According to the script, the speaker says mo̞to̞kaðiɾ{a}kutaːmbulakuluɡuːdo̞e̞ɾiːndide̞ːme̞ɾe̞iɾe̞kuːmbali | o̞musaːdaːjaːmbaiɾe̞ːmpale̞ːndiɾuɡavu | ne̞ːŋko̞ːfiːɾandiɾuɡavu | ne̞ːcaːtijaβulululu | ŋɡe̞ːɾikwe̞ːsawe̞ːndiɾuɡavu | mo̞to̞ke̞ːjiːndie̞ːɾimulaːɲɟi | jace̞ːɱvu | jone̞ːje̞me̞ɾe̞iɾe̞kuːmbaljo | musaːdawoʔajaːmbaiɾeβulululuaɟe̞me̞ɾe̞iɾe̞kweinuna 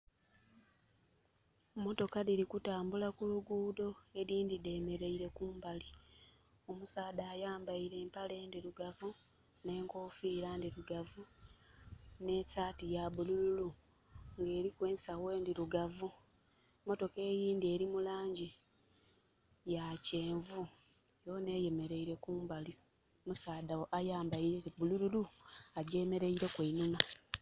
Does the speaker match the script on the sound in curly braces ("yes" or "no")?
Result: no